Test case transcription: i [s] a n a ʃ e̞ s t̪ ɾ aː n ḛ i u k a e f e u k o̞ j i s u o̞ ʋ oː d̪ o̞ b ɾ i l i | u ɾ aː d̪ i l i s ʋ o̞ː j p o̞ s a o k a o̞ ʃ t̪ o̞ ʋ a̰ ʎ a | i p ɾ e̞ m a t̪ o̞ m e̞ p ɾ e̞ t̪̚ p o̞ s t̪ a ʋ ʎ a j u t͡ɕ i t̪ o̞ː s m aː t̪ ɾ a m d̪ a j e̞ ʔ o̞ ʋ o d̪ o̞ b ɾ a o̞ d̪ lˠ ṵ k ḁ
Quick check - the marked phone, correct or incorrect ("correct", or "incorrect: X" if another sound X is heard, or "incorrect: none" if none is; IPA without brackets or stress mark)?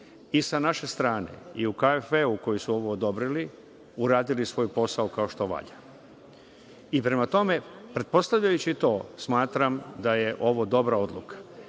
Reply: correct